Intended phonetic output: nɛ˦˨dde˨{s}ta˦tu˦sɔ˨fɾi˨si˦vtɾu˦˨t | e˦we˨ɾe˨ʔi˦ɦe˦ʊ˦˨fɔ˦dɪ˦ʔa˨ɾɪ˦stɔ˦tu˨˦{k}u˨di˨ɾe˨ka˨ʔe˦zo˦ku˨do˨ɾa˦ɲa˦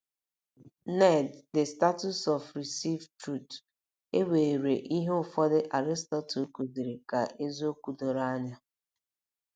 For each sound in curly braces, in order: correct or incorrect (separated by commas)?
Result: correct, correct